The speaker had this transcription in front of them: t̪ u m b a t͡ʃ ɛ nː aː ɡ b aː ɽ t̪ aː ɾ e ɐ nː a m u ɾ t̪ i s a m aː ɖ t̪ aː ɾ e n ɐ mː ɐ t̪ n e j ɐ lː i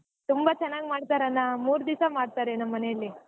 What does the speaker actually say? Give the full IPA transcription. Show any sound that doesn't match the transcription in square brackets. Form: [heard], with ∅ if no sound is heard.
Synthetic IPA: t̪ u m b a t͡ʃ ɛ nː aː ɡ [m] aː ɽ t̪ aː ɾ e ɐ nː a m [uː] ɾ [d̪] i s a m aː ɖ t̪ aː ɾ e n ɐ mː ɐ [∅] n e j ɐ lː i